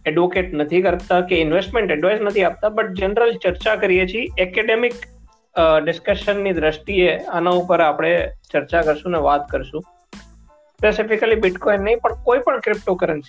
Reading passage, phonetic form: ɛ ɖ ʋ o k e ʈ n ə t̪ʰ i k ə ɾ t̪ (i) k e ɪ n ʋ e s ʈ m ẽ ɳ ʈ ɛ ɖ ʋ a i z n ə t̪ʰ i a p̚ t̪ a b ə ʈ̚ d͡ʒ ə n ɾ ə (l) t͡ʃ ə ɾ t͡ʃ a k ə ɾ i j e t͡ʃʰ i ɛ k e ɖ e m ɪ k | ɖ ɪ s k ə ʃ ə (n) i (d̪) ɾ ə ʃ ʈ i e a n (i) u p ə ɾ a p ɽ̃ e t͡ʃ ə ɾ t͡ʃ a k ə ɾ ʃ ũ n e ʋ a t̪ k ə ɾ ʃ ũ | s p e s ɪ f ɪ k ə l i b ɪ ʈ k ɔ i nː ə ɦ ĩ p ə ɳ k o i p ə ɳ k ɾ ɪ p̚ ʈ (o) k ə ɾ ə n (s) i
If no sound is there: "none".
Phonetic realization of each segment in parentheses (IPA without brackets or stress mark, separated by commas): a, l, nː, d̪, a, o, s